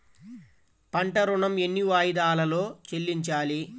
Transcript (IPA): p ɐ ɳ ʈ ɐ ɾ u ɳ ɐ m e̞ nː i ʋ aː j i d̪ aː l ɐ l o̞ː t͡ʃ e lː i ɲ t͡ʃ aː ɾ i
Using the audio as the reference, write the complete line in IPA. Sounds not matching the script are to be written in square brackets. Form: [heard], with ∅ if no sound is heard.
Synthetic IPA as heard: p ɐ ɳ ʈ ɐ ɾ u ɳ ɐ m e̞ nː i ʋ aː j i d̪ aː l ɐ l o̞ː t͡ʃ e lː i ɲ t͡ʃ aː [l] i